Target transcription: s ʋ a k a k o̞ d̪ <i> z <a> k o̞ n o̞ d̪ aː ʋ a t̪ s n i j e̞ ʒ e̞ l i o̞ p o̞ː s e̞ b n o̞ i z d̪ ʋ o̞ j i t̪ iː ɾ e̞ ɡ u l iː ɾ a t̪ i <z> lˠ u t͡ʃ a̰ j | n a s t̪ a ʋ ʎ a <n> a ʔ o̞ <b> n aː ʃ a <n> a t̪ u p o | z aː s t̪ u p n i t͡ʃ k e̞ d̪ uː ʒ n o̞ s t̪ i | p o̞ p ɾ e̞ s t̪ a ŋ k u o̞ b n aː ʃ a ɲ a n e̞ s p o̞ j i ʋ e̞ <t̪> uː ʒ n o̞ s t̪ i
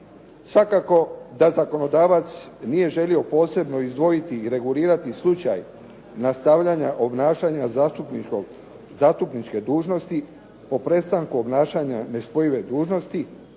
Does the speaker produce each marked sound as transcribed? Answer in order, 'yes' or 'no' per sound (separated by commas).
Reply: no, yes, no, no, yes, no, no